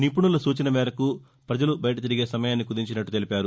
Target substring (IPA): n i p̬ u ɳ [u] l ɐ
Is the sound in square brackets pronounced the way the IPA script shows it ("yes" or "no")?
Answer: yes